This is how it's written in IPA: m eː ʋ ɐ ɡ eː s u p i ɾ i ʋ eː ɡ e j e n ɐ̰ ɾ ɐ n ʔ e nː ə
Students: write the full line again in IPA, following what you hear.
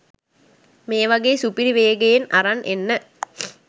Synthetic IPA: m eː ʋ ɐ ɡ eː s u p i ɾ i ʋ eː ɡ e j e n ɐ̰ ɾ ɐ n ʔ e nː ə